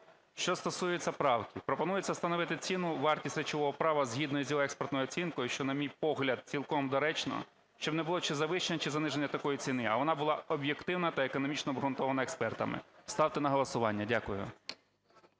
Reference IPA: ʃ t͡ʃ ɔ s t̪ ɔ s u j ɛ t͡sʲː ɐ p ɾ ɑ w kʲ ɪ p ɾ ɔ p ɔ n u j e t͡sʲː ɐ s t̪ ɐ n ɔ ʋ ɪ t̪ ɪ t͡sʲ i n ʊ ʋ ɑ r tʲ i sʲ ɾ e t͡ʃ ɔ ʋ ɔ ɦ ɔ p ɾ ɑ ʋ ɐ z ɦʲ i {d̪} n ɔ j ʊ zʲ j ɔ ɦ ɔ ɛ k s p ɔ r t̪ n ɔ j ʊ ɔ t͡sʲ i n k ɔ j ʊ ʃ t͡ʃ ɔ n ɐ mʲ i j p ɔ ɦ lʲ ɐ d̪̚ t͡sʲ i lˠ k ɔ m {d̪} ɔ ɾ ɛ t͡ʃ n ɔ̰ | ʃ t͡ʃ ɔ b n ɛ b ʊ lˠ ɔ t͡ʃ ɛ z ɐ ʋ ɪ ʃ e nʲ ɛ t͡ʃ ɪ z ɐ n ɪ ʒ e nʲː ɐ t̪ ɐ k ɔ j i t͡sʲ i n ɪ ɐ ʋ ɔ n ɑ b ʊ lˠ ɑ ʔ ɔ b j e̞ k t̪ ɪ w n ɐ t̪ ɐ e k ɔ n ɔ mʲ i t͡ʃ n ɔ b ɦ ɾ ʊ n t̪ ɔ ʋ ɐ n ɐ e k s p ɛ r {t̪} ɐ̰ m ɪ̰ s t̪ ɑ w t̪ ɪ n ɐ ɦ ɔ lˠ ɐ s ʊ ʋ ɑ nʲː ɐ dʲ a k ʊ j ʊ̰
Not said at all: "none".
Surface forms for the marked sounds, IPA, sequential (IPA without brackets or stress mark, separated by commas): d̪, d̪, t̪